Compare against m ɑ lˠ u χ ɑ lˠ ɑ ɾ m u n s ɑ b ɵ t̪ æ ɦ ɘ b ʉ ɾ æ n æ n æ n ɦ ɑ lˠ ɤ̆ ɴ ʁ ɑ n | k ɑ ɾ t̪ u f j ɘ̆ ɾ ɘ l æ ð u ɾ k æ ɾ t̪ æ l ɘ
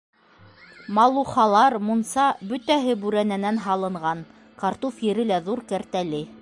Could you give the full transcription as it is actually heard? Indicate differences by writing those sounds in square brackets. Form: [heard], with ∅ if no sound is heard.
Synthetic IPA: m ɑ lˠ u χ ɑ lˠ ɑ ɾ m u n s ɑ b ɵ t̪ æ ɦ ɘ b ʉ ɾ æ n æ n æ n ɦ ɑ lˠ ɤ̆ ɴ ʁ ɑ n | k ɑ ɾ t̪ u f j ɘ̆ ɾ ɘ l æ ð u ɾ k æ ɾ t̪ æ l ɘ